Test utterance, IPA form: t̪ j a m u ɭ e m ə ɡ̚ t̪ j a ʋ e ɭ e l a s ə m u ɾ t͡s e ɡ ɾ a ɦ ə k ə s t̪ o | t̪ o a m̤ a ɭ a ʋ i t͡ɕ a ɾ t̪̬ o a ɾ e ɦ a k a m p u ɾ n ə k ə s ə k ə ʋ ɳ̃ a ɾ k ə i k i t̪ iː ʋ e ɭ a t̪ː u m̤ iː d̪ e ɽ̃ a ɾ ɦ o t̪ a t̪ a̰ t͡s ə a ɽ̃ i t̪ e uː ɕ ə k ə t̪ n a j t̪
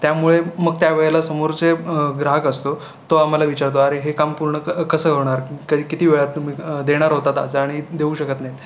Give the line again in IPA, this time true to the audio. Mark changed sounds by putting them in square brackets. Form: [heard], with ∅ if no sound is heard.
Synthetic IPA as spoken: t̪ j a m u ɭ e m ə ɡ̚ t̪ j a ʋ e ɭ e l a s ə m [o] ɾ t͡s e ɡ ɾ a ɦ ə k ə s t̪ o | t̪ o a m̤ a [l] a ʋ i t͡ɕ a ɾ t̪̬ o a ɾ e ɦ [e] k a m p u ɾ [ɳ] ə k ə s ə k ə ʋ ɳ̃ a ɾ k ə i k i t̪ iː ʋ e ɭ a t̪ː u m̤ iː d̪ e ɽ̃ a ɾ ɦ o t̪ a t̪ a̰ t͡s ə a ɽ̃ i [d̪] e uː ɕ ə k ə t̪ n a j t̪